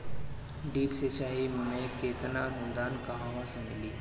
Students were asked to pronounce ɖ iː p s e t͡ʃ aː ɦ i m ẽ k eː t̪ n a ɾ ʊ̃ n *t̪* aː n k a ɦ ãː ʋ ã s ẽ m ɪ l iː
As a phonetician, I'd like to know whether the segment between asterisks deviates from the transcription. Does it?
yes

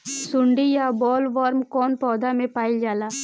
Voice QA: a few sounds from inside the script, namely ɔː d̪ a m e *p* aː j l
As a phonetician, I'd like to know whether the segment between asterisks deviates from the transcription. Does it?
no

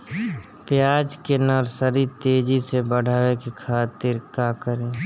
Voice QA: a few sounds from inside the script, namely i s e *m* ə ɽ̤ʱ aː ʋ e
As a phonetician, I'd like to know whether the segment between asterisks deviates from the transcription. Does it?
yes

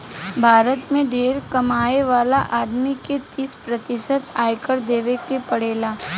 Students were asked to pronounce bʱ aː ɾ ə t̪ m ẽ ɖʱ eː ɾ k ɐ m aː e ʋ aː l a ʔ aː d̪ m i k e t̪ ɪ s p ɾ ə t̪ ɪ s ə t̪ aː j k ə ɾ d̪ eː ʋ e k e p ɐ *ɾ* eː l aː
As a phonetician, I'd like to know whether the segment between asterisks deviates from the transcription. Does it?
yes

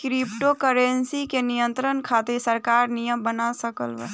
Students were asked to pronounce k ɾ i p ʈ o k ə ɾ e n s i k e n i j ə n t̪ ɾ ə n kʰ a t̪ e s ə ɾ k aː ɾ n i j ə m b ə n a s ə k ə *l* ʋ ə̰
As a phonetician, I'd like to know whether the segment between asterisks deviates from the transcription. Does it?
no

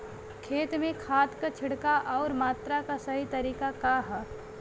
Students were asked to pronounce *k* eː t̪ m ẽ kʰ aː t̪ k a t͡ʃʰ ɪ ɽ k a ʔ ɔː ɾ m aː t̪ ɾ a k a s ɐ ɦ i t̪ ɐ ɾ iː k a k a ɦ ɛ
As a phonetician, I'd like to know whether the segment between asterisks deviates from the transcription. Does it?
yes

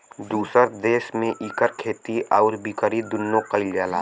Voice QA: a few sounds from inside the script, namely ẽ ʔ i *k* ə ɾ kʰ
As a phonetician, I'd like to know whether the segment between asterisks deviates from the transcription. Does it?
no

